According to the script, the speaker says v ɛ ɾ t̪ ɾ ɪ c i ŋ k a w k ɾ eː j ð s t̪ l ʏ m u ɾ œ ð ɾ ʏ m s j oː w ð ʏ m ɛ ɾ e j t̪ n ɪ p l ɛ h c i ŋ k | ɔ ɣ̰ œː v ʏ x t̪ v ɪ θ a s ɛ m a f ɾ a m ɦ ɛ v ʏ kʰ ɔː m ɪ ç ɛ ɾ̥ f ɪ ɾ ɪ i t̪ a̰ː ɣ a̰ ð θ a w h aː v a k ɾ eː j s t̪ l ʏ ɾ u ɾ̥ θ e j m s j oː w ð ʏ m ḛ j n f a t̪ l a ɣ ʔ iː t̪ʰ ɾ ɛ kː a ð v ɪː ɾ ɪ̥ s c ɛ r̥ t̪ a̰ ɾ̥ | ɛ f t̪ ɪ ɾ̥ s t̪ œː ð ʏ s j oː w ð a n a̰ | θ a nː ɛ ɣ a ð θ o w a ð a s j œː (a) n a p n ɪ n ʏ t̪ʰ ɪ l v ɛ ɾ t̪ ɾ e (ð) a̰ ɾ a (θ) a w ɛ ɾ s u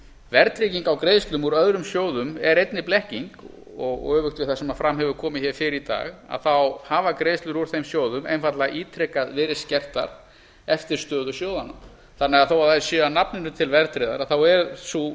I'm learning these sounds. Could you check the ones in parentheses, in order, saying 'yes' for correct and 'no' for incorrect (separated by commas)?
yes, yes, yes